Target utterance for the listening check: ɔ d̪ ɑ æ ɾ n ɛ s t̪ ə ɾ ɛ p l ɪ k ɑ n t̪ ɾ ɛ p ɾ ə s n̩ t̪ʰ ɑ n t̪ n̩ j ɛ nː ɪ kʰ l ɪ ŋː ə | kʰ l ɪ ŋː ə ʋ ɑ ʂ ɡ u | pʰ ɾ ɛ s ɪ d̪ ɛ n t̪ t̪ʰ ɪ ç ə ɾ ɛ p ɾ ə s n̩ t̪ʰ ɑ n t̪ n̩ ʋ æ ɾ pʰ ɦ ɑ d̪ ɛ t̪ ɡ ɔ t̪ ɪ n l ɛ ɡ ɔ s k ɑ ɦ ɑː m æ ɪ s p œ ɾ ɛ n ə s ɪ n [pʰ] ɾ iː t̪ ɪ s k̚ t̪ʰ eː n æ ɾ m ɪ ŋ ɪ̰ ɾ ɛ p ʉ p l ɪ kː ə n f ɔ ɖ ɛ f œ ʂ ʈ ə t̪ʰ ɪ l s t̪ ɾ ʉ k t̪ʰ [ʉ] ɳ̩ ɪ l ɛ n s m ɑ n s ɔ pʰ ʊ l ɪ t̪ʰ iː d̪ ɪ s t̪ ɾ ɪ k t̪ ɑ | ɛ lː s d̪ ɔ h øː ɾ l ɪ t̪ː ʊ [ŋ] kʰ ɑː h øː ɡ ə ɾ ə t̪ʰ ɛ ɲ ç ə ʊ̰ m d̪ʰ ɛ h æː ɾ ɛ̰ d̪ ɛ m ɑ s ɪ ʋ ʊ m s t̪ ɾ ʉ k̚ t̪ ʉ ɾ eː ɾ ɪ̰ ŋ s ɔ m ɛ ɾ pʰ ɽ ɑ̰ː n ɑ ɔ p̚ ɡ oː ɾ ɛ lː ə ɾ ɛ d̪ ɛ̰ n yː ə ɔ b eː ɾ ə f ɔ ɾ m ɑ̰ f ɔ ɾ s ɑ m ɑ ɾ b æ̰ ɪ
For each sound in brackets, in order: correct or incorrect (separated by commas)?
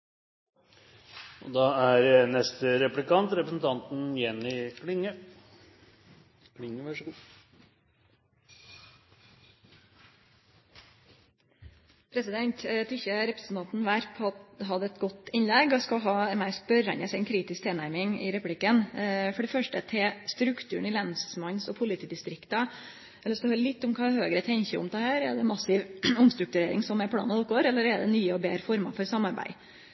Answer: incorrect, incorrect, incorrect